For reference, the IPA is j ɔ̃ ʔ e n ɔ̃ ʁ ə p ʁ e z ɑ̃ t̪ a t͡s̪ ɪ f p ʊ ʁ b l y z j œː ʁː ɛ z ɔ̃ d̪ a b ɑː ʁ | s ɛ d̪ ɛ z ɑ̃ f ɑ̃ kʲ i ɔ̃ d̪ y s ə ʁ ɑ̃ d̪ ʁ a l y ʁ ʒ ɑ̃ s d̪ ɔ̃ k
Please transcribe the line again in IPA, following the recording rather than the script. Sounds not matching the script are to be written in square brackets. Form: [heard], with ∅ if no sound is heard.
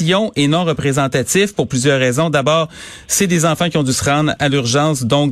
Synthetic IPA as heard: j ɔ̃ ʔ e n ɔ̃ ʁ ə p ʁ e z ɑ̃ t̪ a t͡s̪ ɪ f p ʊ ʁ [p] l y z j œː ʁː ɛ z ɔ̃ d̪ a b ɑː ʁ | s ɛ d̪ [e] z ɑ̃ f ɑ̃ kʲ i ɔ̃ d̪ y s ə ʁ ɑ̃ d̪ ʁ a l y ʁ ʒ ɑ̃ s d̪ ɔ̃ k